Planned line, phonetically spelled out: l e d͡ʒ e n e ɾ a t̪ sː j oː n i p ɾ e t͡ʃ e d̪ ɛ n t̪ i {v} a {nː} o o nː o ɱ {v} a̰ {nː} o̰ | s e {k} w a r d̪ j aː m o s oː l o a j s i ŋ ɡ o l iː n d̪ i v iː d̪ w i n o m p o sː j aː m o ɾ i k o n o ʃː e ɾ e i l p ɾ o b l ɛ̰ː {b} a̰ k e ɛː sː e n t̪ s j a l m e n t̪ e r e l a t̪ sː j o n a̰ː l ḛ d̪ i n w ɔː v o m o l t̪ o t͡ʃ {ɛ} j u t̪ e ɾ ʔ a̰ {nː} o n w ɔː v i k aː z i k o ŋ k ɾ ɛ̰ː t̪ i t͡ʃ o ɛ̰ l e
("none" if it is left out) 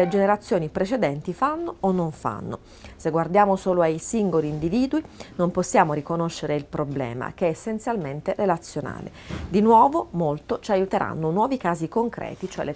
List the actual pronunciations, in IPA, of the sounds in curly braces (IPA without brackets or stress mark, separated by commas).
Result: f, nː, f, nː, ɡ, m, a, nː